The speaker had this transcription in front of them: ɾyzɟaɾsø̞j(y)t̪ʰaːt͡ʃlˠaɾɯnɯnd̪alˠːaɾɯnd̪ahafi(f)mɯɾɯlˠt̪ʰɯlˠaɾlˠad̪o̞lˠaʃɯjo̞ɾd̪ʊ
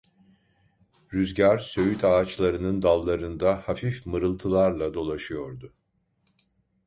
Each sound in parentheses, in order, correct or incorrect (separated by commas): correct, correct